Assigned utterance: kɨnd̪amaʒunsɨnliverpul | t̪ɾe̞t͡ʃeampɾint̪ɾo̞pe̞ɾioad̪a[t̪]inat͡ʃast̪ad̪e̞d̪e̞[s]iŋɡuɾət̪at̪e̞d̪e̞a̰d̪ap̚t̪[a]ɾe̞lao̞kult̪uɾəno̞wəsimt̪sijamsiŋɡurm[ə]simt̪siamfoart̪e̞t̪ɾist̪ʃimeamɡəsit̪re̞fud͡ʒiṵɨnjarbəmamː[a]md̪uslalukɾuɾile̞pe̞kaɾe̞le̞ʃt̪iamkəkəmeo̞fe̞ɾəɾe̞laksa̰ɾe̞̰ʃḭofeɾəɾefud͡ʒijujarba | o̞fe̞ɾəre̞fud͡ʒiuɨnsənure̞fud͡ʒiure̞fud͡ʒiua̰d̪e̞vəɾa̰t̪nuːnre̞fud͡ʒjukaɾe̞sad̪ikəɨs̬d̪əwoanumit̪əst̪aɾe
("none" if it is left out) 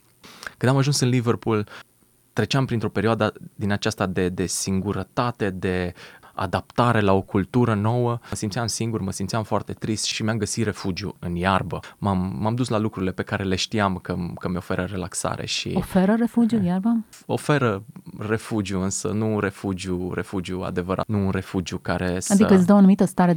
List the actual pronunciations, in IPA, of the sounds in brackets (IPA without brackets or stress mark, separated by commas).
d̪, s, a, ə, a